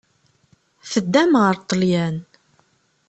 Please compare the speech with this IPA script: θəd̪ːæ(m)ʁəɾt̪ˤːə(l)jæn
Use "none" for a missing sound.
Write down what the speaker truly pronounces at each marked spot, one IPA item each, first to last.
m, l

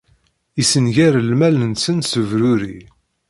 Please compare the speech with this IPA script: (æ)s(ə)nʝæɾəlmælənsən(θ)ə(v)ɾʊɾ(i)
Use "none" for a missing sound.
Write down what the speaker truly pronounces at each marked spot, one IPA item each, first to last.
i, ə, s, v, i

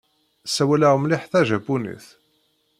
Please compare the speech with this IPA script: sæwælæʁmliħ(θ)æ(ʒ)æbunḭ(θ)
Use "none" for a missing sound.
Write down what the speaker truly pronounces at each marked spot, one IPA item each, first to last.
θ, ʒ, θ

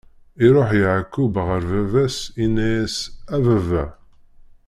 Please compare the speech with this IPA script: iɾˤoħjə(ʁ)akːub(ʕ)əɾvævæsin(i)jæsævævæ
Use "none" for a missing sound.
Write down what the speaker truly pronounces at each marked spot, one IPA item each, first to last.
ʕ, ʁ, æ

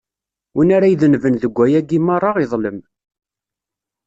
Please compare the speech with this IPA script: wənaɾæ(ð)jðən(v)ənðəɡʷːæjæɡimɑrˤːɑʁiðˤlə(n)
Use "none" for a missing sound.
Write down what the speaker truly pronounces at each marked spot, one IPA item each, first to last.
none, v, m

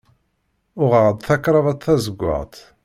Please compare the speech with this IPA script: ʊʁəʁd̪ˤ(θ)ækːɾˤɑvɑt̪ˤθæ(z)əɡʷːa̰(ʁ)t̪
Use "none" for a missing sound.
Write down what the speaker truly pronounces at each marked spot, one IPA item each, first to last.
θ, z, ʁ

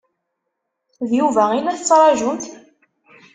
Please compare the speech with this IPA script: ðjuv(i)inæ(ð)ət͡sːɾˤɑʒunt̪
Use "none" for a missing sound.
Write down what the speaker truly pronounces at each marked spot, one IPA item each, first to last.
æ, θ

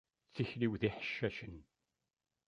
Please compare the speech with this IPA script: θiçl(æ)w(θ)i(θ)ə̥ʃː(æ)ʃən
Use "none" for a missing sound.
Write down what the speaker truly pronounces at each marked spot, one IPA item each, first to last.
i, ð, ħ, æ

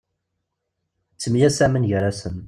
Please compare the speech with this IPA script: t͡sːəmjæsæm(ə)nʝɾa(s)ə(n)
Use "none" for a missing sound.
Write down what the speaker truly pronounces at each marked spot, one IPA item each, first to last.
ə, s, n

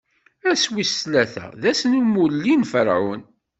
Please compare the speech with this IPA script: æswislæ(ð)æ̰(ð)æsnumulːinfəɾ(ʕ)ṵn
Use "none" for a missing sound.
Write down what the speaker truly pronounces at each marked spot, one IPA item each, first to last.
θ, ð, ʕ

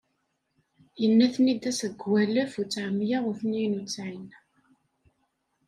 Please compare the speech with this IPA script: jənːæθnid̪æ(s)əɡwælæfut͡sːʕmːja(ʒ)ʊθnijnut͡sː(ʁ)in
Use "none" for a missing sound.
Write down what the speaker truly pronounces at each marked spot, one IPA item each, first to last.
s, ʁ, ʕ

